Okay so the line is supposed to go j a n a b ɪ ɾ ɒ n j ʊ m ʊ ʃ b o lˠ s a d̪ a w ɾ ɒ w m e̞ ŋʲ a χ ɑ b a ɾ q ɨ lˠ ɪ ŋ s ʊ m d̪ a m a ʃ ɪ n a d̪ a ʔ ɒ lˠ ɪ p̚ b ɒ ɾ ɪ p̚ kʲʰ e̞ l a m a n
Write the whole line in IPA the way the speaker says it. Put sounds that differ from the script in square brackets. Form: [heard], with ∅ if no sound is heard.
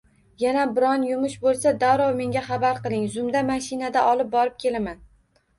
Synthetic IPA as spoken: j a n a b ɪ ɾ ɒ n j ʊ m ʊ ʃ b o lˠ s a d̪ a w ɾ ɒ w m e̞ ŋʲ a χ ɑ b a ɾ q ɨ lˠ ɪ ŋ [z] ʊ m d̪ a m a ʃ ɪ n a d̪ a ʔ ɒ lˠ ɪ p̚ b ɒ ɾ ɪ p̚ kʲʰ e̞ l a m a n